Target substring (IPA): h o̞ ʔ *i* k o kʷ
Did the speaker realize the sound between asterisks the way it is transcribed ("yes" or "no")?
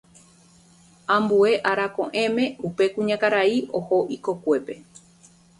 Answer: yes